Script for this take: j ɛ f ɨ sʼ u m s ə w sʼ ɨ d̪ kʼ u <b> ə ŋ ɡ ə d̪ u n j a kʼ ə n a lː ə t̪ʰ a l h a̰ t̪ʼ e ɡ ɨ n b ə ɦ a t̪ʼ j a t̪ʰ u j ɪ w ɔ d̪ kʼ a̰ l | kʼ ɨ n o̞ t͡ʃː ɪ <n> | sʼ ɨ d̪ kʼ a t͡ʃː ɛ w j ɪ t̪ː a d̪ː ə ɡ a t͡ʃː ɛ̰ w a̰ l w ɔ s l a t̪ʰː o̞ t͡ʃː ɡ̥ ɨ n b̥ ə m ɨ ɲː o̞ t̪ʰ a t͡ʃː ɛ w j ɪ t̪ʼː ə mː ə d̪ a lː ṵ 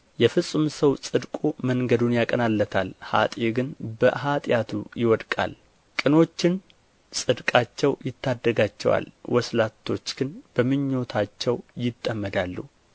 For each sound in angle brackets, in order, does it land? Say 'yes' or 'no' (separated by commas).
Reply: no, yes